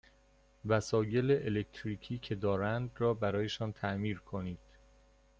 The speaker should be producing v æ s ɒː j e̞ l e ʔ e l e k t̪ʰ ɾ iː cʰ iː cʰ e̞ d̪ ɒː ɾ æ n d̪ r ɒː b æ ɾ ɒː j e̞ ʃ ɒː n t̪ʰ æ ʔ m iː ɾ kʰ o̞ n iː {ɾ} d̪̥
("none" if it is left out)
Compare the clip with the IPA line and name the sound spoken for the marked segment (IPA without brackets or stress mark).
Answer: none